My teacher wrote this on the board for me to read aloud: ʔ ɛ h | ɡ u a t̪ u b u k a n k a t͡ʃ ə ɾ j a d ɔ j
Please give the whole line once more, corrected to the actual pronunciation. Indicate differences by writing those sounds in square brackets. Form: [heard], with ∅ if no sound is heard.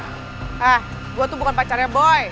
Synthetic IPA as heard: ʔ [a] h | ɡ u a t̪ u b u k a n [p] a t͡ʃ [a] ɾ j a [b] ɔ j